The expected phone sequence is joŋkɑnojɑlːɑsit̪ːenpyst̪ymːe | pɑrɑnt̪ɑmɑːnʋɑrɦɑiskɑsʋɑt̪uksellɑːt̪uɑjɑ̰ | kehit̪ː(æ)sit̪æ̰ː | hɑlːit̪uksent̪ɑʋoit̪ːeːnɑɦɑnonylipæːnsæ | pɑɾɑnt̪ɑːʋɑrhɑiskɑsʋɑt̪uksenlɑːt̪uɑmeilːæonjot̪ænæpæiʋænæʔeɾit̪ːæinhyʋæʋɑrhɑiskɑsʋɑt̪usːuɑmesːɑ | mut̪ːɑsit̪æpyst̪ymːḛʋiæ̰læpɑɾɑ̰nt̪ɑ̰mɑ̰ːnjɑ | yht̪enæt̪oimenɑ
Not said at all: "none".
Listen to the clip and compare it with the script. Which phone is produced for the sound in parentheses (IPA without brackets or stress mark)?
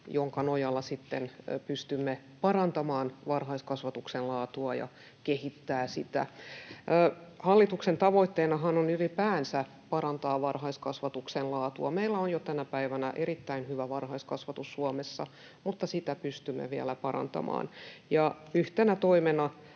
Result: æː